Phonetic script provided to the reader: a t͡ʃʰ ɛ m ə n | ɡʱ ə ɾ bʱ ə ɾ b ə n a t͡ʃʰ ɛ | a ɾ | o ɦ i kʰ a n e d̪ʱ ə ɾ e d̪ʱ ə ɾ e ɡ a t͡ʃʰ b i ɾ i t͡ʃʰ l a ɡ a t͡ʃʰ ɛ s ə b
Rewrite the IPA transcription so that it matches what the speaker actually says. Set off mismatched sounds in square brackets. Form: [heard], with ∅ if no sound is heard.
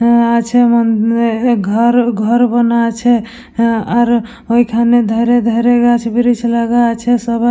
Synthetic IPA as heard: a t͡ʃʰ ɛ m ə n | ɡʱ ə ɾ [ɡʱ] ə ɾ b ə n a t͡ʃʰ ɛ | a ɾ | o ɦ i kʰ a n e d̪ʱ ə ɾ e d̪ʱ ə ɾ e ɡ a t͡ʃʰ b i ɾ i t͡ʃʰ l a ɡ a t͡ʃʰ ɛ s ə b